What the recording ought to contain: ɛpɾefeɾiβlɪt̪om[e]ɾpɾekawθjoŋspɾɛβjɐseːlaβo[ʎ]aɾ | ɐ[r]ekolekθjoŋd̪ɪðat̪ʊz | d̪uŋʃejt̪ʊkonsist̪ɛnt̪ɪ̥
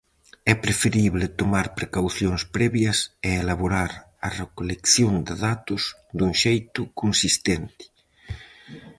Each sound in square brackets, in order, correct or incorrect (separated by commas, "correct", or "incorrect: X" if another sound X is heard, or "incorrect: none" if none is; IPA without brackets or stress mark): incorrect: a, incorrect: ɾ, correct